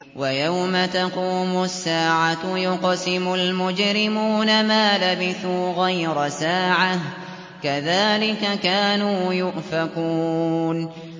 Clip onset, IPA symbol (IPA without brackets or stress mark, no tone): w